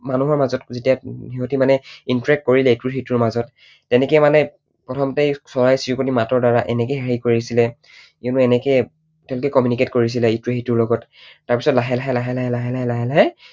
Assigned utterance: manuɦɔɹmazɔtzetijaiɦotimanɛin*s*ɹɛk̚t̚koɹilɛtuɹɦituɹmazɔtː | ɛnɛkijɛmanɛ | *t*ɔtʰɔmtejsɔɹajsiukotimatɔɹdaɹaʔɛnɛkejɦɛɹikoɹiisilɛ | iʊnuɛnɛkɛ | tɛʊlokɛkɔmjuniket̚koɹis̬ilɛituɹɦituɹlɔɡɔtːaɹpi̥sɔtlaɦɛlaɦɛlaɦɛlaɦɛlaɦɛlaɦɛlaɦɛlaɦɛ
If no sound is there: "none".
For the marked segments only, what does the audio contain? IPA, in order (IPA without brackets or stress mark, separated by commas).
t, p